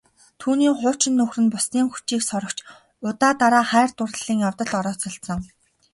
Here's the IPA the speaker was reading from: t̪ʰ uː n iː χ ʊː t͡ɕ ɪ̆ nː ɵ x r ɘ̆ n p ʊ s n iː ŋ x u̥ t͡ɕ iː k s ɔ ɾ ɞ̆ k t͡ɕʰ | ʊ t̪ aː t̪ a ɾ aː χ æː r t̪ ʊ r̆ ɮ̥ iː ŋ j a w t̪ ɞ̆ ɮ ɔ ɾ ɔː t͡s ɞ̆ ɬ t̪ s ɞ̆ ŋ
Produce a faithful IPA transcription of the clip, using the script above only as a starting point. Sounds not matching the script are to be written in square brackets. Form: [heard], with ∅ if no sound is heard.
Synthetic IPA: t̪ʰ uː n iː χ ʊː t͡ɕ ɪ̆ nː ɵ x r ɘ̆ n p ʊ s n iː ŋ x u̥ t͡ɕ iː k s ɔ ɾ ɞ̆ k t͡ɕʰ | ʊ t̪ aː t̪ a ɾ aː χ æː r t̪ ʊ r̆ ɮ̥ iː ŋ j a w t̪ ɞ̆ ɮ ɔ ɾ ɔː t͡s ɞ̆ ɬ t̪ s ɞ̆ ŋ